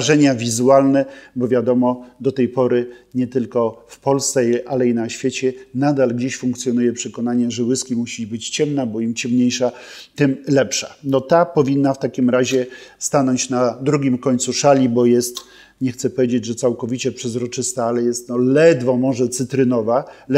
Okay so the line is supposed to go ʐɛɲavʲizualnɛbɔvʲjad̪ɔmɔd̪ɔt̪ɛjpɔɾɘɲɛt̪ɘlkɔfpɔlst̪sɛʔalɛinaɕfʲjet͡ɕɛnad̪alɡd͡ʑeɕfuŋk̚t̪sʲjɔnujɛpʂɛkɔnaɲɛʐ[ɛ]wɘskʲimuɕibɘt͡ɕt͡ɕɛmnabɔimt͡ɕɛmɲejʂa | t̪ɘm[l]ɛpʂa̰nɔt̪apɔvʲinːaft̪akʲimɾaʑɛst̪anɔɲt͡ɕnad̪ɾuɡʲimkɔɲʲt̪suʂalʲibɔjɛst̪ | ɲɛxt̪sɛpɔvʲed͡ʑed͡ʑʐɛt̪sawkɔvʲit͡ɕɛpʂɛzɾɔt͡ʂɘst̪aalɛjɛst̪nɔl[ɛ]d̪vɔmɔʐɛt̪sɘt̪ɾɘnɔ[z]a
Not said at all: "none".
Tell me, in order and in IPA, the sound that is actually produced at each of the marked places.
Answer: ɛ, l, ɛ, v

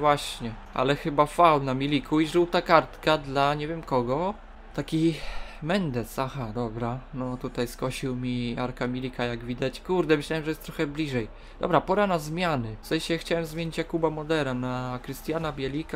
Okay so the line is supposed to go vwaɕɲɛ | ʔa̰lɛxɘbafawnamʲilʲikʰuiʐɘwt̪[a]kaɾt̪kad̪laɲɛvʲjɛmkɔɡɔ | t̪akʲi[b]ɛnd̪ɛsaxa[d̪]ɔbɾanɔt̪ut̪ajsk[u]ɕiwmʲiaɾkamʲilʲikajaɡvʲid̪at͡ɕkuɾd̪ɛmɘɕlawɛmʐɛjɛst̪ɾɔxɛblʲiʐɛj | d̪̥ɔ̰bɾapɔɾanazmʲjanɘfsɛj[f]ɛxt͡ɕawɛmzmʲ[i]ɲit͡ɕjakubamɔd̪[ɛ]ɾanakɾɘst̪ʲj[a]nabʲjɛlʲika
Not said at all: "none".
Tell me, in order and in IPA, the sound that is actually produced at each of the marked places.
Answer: a, m, d̪, ɔ, ɕ, e, ɛ, a

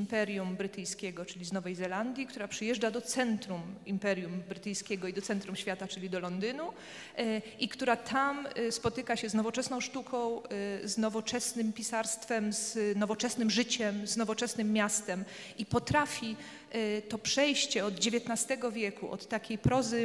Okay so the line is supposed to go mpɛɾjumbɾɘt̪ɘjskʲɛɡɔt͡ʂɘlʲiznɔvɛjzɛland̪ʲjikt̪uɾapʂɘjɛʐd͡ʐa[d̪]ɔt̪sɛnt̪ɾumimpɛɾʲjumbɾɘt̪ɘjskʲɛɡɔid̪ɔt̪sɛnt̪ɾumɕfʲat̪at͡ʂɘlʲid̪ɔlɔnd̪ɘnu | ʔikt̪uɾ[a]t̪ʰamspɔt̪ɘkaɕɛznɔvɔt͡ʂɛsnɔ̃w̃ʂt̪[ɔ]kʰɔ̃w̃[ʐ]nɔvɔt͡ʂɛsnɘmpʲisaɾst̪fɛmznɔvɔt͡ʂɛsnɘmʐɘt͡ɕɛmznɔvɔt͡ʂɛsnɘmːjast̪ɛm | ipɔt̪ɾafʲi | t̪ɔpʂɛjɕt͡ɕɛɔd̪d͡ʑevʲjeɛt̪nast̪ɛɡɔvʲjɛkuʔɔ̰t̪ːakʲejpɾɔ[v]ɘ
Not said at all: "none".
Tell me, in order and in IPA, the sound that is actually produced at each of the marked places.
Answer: d̪, a, u, z, z

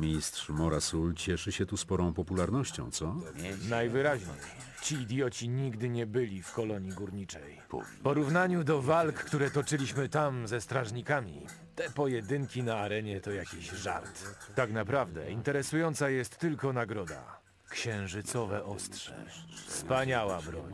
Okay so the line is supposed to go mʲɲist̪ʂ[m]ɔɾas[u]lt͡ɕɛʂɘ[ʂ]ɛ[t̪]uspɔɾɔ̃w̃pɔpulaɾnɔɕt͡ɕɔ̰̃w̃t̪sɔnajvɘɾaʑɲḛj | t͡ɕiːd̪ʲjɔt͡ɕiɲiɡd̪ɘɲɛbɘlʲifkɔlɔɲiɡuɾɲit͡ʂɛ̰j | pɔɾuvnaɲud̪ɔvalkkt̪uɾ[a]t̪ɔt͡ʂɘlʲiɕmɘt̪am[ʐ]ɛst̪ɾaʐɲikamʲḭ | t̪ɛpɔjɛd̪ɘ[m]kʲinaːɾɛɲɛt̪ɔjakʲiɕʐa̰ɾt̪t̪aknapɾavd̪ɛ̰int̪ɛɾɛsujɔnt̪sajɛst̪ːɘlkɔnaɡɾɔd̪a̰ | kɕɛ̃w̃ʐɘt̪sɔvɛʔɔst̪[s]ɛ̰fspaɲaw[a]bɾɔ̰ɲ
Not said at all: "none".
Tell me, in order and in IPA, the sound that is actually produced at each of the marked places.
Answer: m, u, ɕ, t̪, ɛ, z, ŋ, ʂ, a

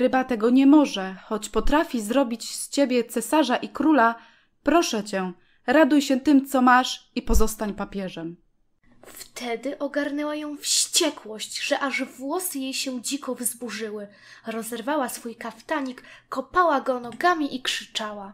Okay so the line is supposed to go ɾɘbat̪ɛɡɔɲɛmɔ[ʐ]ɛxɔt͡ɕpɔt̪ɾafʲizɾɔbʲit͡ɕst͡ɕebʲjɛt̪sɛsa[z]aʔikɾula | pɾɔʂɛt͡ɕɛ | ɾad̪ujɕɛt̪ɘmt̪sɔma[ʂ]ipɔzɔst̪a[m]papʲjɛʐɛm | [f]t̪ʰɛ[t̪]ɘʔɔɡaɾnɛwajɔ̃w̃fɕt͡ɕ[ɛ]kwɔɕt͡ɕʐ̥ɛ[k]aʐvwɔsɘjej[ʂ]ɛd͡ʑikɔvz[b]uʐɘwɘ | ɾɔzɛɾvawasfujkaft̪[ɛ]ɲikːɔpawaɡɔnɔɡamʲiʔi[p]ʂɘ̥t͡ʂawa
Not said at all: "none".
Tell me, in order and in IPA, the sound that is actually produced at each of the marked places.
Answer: ʐ, ʐ, ʂ, ɲ, f, d̪, ɛ, ʔ, ɕ, b, a, k

